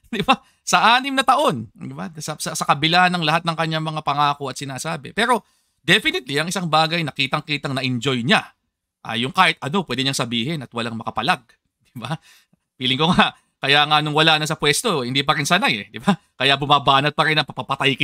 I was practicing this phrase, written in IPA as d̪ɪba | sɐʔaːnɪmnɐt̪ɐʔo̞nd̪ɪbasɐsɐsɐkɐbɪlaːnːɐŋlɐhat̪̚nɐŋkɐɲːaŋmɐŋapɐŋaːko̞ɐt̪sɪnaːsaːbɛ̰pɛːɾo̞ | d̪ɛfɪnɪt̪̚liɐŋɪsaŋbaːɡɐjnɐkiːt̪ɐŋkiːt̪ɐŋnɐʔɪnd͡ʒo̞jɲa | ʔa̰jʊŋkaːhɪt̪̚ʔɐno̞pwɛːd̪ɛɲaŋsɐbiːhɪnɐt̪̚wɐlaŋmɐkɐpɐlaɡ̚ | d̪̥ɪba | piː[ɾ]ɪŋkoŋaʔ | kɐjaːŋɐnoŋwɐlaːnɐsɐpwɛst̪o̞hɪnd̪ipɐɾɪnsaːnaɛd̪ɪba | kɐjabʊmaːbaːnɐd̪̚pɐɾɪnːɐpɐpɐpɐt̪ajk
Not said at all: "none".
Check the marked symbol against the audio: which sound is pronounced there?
l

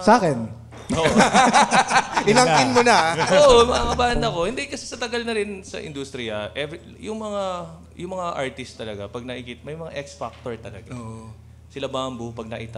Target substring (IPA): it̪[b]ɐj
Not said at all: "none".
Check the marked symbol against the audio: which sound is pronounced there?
m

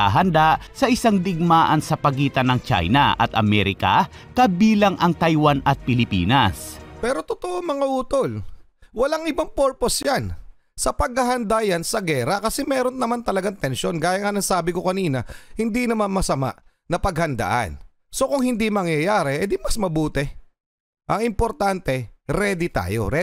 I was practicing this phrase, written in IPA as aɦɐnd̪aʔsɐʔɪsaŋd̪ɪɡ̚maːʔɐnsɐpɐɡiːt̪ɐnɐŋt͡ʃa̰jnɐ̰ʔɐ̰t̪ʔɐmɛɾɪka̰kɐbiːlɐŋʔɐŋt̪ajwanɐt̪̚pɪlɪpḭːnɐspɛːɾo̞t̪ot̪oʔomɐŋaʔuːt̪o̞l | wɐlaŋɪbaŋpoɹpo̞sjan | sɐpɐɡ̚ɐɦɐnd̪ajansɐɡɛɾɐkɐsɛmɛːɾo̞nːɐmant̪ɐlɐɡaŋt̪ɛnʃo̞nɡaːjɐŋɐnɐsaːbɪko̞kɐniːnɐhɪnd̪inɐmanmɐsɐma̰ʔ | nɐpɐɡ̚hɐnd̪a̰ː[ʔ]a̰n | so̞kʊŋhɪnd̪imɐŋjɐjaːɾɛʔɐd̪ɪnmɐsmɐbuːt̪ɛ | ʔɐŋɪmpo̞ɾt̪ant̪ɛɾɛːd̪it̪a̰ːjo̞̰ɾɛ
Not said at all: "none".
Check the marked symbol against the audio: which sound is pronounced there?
ʔ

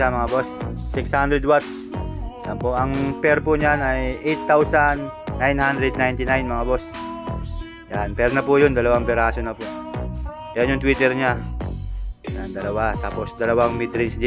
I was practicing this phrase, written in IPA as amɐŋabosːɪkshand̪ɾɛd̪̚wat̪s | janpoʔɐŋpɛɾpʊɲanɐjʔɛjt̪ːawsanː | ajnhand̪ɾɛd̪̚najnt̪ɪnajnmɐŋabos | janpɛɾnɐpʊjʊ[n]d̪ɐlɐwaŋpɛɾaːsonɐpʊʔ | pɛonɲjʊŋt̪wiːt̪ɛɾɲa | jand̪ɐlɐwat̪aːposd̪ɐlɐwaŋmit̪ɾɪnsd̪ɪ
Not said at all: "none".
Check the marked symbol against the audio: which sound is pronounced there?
n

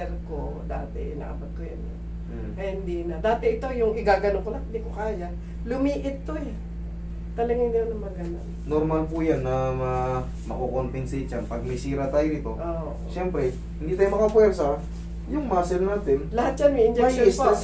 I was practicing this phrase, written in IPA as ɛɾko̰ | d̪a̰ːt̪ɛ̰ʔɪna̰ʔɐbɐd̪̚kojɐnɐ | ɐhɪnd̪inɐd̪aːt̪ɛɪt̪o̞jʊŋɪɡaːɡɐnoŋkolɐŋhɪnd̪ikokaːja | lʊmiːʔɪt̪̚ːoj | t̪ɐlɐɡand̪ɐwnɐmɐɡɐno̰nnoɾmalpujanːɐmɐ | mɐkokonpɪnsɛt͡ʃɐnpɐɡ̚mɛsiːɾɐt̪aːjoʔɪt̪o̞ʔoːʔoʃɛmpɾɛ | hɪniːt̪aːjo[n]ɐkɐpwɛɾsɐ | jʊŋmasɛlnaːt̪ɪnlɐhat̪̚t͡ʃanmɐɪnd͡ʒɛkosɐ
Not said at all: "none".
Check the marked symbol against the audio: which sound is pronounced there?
m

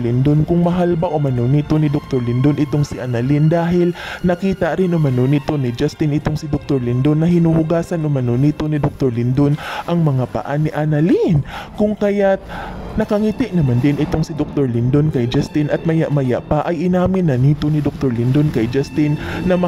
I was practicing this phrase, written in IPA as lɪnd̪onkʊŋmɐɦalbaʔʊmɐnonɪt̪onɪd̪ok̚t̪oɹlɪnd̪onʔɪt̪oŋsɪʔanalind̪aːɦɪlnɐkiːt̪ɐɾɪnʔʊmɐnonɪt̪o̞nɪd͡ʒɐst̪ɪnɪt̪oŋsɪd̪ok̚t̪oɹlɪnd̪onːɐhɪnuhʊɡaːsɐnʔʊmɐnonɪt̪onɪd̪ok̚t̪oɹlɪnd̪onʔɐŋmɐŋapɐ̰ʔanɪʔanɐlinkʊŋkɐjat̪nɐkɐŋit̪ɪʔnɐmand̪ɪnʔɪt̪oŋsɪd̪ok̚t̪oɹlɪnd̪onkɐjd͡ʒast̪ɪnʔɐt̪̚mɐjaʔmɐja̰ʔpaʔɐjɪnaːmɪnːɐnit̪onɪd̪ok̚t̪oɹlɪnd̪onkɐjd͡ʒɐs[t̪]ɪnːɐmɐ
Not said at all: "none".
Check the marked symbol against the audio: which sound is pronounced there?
t̪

